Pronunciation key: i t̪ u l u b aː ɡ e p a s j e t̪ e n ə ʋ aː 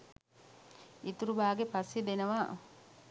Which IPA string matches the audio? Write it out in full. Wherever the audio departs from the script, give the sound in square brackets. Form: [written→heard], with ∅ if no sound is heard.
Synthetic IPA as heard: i t̪ u [l→ɾ] u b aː ɡ e p a s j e [t̪→d̪] e n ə ʋ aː